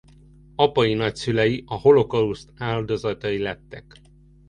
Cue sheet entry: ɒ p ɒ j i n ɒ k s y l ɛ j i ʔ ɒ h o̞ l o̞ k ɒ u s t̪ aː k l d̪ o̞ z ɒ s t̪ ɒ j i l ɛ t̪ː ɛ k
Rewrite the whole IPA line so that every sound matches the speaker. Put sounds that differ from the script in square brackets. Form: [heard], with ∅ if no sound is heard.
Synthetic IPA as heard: ɒ p ɒ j i n ɒ [c] s y l ɛ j i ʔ ɒ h o̞ l o̞ k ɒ u s t̪ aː [∅] l d̪ o̞ z ɒ [∅] t̪ ɒ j i l ɛ t̪ː ɛ k